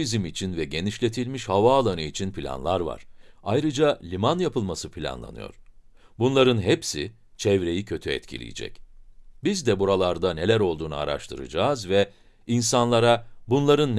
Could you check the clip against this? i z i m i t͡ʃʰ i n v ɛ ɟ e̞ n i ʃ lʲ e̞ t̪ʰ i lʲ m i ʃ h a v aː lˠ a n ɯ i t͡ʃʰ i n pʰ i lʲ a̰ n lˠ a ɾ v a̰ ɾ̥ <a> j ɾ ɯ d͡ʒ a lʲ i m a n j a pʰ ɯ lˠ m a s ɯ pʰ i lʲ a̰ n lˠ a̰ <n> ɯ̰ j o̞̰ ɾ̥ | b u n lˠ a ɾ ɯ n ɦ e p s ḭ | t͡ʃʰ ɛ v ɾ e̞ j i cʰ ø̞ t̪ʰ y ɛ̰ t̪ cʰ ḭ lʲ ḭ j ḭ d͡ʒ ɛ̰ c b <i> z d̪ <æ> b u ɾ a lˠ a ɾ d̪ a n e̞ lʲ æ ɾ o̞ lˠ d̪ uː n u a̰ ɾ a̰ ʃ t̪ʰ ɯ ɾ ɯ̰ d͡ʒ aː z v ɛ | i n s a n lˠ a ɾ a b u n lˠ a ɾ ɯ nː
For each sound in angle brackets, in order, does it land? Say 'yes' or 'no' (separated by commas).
yes, yes, yes, no